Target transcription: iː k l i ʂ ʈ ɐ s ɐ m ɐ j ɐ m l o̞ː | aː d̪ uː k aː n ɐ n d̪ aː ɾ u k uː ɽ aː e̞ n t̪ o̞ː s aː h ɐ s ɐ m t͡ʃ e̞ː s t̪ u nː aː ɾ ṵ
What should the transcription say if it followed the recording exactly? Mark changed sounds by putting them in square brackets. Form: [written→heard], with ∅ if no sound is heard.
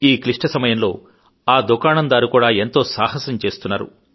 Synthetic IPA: iː k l i ʂ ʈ ɐ s ɐ m ɐ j ɐ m l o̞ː | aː d̪ [uː→u] k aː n ɐ n d̪ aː ɾ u k uː ɽ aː e̞ n t̪ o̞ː s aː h ɐ s ɐ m t͡ʃ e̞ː s t̪ u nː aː ɾ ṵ